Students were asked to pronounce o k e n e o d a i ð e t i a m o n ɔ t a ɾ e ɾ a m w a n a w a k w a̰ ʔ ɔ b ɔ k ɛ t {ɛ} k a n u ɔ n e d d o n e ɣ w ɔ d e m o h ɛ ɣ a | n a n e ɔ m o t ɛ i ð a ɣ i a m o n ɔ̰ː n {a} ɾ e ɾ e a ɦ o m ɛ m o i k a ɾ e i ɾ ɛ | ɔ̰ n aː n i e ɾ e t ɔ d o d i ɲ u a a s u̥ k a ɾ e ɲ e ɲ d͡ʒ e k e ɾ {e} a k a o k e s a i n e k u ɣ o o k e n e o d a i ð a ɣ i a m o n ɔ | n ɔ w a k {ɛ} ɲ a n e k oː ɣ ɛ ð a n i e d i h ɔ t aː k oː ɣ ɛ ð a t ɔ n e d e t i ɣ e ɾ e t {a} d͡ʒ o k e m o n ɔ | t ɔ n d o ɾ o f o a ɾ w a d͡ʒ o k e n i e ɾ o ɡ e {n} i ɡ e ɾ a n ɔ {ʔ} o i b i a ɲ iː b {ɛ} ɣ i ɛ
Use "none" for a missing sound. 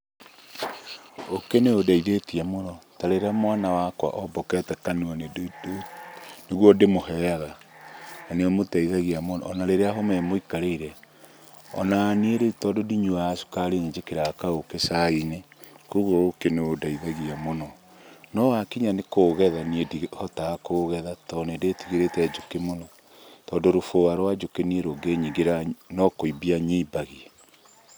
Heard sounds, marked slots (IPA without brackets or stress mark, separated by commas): ɛ, a, a, i, ɛ, ɲ, k, a